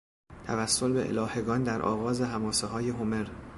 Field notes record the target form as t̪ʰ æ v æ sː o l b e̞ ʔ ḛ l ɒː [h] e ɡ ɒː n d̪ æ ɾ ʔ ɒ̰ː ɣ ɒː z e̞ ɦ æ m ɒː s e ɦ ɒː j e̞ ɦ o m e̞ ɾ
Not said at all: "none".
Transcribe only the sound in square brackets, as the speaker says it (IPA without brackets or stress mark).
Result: h